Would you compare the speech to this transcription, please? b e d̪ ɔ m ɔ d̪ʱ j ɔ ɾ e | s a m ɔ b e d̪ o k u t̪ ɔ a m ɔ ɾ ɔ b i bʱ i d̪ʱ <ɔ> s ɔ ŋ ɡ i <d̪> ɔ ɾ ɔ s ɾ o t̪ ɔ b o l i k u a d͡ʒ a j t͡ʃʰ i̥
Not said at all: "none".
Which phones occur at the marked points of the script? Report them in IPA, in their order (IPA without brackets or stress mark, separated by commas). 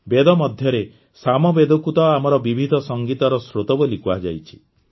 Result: ɔ, t̪